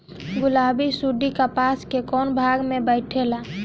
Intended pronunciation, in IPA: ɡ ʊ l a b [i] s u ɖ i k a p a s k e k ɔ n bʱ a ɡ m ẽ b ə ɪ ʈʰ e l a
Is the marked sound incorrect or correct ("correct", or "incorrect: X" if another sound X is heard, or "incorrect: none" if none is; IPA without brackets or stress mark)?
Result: correct